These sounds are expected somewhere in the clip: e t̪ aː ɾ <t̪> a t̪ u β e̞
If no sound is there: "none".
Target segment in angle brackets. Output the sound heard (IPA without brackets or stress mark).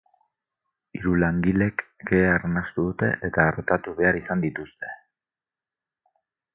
t̪